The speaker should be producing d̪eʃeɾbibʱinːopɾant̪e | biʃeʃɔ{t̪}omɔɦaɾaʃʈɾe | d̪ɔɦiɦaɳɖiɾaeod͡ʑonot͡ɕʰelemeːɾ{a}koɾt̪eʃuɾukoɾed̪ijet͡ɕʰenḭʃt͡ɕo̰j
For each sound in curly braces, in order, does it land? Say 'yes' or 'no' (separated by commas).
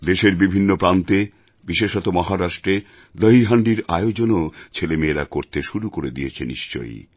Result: yes, yes